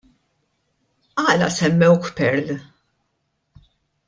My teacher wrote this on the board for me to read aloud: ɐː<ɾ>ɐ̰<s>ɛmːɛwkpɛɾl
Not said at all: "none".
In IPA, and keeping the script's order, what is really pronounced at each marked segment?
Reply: l, s

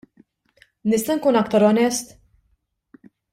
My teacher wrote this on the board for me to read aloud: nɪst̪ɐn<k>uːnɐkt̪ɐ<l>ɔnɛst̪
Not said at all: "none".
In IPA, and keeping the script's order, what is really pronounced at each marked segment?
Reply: k, ɾ

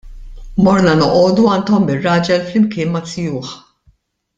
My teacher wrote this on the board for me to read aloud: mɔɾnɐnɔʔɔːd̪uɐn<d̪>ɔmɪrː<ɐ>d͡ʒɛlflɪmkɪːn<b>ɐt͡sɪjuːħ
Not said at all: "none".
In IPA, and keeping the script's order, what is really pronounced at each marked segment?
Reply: t̪, ɐː, m

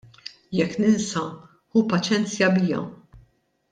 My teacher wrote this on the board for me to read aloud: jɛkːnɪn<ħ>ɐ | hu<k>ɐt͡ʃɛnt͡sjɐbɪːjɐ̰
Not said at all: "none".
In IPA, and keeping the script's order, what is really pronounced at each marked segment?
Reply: s, p

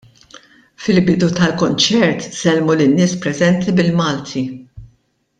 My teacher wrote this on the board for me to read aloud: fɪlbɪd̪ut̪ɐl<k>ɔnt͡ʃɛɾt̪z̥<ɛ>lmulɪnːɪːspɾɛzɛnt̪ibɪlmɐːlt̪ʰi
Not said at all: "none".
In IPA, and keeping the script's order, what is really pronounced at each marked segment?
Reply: k, ɛ

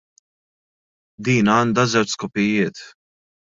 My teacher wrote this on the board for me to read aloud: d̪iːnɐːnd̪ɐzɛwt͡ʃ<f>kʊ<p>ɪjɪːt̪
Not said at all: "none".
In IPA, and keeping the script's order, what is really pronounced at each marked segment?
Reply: s, p

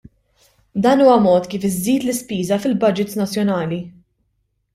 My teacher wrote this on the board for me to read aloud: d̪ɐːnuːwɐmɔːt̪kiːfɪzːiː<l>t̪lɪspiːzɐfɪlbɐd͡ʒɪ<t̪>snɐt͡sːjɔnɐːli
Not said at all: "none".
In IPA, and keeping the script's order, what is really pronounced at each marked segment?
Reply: none, t̪

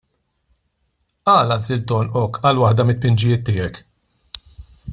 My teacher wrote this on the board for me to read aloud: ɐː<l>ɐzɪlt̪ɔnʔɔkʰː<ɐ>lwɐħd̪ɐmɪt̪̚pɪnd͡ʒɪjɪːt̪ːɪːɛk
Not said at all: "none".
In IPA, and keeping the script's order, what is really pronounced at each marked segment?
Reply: l, ɐ

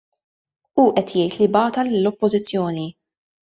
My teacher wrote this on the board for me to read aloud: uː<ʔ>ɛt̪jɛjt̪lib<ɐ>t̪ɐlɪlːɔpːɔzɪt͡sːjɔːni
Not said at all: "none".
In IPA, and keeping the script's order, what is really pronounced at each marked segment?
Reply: ʔ, ɐː

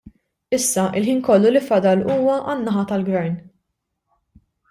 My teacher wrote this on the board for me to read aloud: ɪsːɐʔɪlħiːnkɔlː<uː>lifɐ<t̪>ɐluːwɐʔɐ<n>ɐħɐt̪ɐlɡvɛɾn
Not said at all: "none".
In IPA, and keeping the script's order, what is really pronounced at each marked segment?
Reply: u, d̪, nː

